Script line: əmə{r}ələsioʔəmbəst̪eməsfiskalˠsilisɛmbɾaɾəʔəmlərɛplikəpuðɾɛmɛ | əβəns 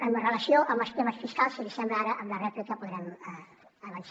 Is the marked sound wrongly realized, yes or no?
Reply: no